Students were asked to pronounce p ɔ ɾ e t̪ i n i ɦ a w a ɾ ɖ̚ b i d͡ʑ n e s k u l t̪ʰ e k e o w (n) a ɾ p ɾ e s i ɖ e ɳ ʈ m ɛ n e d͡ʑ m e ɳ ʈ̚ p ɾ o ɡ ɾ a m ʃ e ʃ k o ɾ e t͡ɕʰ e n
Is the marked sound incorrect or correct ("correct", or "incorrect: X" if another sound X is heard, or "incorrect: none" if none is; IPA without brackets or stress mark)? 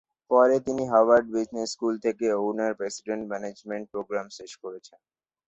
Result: correct